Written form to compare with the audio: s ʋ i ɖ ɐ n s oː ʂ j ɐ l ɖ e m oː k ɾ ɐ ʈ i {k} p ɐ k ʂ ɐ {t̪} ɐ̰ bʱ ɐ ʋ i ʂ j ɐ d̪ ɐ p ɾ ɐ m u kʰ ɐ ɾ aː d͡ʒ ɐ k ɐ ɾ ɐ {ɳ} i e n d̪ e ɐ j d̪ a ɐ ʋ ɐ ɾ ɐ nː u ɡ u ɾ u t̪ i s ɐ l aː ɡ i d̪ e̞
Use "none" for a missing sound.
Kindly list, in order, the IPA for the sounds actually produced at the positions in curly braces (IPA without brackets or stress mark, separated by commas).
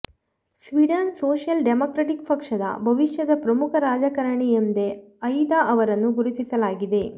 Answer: k, d̪, ɳ